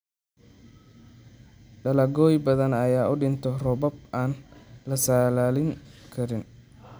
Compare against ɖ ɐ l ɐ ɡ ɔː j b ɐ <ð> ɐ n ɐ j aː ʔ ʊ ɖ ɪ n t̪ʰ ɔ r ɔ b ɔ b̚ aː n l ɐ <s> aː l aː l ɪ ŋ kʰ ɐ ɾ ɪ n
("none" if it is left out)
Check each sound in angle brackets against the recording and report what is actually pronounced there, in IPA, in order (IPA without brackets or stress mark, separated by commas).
ð, s